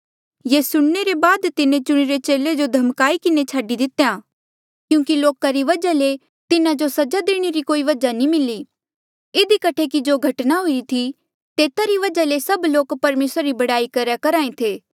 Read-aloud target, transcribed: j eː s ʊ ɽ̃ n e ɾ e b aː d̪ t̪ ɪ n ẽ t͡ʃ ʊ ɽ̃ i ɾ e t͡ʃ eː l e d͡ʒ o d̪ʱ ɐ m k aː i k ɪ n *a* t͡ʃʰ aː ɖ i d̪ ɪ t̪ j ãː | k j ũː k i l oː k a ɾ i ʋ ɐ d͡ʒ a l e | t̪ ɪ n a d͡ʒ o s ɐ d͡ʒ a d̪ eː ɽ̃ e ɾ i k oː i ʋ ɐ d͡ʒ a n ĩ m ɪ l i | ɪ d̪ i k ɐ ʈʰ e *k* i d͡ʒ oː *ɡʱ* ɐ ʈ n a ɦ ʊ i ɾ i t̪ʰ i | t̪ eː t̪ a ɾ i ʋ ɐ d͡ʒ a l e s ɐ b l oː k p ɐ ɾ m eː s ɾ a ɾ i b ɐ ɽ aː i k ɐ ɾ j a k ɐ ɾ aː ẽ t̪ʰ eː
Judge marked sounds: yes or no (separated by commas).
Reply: no, yes, yes